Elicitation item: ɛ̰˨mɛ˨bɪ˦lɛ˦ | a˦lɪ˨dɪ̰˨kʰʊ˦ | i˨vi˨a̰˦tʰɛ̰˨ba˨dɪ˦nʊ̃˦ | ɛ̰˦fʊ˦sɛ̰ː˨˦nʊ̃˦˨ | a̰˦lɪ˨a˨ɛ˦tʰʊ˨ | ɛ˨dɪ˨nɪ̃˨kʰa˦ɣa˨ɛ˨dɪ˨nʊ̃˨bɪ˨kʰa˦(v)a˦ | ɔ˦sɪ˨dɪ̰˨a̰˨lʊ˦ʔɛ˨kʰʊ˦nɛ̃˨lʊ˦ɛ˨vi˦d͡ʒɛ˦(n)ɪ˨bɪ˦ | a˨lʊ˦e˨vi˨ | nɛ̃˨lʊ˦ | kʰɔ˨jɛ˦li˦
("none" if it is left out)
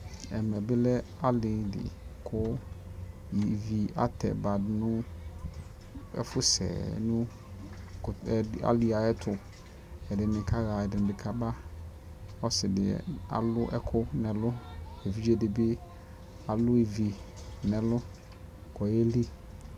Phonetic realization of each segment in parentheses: b, d

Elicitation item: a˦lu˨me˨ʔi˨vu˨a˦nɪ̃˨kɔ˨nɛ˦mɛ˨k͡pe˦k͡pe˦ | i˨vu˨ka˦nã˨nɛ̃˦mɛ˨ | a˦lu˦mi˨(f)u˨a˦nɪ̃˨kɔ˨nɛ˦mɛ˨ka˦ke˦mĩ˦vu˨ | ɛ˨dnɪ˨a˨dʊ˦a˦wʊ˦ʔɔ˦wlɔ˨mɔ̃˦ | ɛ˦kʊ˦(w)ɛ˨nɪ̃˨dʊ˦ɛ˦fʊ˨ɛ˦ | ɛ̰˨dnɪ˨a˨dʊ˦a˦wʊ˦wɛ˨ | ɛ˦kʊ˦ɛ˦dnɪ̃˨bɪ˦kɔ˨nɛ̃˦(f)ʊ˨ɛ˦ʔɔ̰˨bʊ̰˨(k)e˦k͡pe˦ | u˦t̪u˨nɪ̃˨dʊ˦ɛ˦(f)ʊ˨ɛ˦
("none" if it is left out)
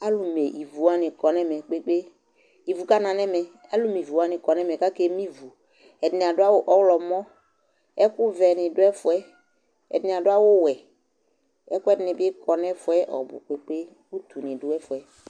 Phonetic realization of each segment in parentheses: v, v, f, k͡p, f

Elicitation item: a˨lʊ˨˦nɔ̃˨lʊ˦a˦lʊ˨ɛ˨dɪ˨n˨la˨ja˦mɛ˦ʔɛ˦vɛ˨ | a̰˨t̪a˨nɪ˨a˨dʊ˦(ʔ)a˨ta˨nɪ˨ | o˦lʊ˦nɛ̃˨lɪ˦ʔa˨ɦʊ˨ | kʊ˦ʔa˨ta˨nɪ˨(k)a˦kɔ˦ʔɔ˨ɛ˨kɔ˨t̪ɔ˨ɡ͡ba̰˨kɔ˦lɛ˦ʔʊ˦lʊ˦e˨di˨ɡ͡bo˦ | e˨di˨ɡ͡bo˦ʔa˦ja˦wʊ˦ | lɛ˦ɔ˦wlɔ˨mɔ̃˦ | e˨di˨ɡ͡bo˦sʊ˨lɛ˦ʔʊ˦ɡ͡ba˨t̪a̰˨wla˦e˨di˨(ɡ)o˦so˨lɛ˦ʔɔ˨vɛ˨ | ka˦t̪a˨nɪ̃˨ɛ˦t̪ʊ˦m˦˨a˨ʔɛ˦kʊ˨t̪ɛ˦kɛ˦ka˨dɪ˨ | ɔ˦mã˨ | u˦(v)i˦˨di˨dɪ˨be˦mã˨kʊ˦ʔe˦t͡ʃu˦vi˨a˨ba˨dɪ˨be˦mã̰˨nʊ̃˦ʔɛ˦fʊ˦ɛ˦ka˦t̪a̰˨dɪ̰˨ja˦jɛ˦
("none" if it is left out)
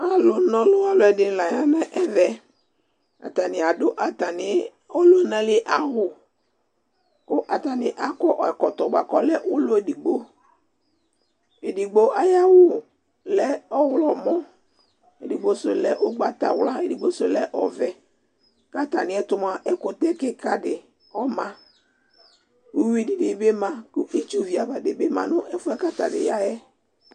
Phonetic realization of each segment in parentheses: ʔ, ʔ, ɡ͡b, w

